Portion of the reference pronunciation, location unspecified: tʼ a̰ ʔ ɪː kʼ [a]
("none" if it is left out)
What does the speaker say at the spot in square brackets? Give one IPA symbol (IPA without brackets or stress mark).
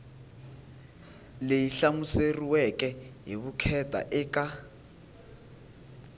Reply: a